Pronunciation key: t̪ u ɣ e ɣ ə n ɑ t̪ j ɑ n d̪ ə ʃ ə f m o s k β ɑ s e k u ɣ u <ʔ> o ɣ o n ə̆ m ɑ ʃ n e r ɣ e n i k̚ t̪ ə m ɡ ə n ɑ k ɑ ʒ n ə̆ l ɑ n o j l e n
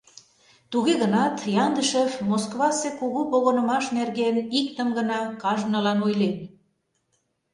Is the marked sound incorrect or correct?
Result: incorrect